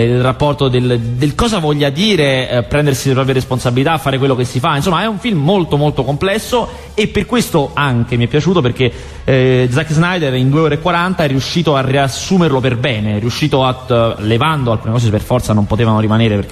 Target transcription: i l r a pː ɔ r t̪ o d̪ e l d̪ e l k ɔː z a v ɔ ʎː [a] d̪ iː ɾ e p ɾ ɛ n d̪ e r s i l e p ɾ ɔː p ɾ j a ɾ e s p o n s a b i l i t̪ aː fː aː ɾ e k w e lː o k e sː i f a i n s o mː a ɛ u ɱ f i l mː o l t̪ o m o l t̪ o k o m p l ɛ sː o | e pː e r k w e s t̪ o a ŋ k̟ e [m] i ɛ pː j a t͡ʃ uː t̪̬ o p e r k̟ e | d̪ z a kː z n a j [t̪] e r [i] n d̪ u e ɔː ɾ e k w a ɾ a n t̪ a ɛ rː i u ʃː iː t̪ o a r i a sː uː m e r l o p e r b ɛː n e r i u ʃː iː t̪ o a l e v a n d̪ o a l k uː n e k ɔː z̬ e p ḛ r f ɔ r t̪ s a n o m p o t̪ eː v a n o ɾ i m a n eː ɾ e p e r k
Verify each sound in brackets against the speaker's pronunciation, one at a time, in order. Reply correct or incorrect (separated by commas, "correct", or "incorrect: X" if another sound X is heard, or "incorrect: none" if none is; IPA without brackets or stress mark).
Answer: correct, correct, incorrect: d̪, correct